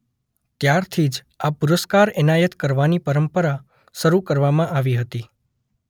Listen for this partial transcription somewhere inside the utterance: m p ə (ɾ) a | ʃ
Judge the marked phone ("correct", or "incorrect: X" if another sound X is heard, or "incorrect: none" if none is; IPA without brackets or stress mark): correct